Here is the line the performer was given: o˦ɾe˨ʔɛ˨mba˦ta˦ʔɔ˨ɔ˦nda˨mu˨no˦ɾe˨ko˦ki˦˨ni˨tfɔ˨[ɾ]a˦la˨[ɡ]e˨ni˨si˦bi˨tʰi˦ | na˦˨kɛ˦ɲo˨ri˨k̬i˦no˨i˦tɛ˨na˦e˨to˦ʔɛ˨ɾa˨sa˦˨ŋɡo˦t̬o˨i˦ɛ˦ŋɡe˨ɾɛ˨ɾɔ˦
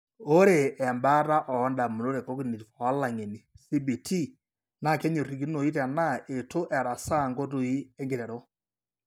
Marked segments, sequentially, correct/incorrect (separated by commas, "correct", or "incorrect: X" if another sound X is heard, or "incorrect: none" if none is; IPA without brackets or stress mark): incorrect: none, incorrect: ŋ